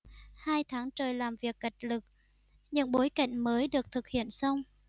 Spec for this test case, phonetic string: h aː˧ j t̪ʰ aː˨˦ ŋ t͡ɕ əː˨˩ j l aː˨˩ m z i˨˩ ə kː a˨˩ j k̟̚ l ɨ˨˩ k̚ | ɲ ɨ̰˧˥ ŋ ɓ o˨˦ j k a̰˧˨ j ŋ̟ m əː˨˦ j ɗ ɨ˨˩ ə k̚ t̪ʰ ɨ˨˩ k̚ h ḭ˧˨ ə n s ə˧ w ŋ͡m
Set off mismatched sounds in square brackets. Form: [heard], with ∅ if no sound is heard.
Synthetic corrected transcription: h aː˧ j t̪ʰ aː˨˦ ŋ t͡ɕ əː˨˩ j l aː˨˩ m [v] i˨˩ ə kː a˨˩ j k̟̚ l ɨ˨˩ k̚ | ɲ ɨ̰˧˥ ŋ ɓ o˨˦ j k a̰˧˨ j ŋ̟ m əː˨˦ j ɗ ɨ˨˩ ə k̚ t̪ʰ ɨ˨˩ k̚ h ḭ˧˨ ə n s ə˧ w ŋ͡m